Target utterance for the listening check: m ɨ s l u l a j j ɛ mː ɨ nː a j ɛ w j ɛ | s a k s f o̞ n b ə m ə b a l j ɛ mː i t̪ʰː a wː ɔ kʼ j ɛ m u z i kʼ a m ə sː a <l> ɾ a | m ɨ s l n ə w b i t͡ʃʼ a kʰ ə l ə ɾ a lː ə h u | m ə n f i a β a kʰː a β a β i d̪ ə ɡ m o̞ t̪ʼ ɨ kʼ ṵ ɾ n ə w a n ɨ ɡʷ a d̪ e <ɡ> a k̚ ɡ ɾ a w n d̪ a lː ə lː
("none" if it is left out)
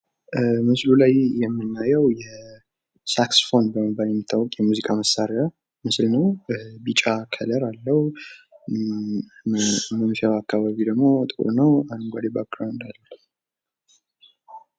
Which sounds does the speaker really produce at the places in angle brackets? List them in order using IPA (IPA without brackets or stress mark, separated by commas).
ɾ, b